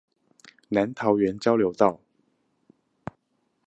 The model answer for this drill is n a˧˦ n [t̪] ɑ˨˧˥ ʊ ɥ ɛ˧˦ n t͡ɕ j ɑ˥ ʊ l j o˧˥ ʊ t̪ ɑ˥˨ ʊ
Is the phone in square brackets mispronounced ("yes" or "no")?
yes